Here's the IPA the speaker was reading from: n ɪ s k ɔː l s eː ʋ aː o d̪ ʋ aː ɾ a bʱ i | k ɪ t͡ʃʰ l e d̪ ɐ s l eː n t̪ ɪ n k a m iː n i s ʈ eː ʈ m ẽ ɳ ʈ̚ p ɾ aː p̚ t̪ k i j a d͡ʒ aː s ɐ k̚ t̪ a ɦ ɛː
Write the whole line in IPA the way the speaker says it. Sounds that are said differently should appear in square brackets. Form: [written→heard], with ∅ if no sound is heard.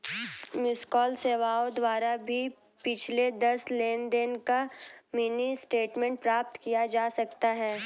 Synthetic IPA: [n→m] ɪ s k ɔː l s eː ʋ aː o d̪ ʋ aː ɾ a bʱ i | [k→p] ɪ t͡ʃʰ l e d̪ ɐ s l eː n [t̪→d̪] ɪ n k a m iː n i s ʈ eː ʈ m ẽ ɳ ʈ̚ p ɾ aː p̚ t̪ k i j a d͡ʒ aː s ɐ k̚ t̪ a ɦ ɛː